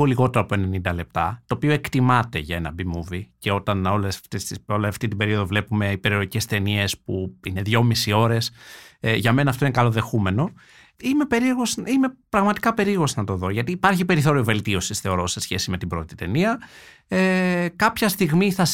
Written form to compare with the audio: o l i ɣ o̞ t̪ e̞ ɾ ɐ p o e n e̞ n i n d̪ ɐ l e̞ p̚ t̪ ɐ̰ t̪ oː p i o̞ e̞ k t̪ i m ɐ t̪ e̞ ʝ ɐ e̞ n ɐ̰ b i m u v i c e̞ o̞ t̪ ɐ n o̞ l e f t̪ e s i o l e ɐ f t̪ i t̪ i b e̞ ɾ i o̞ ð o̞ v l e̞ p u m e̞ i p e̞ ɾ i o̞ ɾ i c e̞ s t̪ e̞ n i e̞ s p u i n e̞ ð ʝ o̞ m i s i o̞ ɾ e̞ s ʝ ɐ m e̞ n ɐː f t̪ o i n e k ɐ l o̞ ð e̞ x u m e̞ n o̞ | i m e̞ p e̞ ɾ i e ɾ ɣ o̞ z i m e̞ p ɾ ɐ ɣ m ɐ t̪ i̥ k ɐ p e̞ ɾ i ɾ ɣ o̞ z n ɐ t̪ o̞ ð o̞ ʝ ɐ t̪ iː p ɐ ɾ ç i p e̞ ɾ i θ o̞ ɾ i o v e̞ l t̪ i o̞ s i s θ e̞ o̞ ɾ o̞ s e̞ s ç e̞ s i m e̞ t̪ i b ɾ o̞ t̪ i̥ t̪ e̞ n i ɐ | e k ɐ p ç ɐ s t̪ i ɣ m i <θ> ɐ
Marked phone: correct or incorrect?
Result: correct